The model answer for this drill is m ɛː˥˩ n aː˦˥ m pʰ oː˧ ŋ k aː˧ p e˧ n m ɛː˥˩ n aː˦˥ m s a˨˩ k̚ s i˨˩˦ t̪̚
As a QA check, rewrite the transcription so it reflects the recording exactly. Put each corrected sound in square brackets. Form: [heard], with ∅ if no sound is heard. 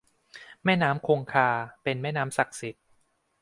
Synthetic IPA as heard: m ɛː˥˩ n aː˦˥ m [kʰ] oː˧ ŋ [kʰ] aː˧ p e˧ n m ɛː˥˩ n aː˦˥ m s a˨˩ k̚ s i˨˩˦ t̪̚